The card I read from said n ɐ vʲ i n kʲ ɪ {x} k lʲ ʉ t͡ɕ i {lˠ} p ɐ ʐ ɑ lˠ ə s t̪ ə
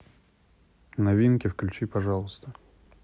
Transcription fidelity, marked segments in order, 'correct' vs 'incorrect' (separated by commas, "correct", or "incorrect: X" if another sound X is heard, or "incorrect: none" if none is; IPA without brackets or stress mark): incorrect: f, incorrect: none